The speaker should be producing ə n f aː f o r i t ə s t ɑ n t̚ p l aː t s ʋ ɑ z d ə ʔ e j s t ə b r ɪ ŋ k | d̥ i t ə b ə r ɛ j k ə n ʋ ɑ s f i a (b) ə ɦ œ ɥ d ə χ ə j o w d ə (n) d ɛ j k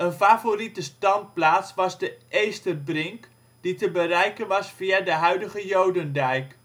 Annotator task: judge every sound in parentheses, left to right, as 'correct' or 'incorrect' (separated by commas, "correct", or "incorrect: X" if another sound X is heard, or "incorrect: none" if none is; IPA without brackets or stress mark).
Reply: incorrect: d, correct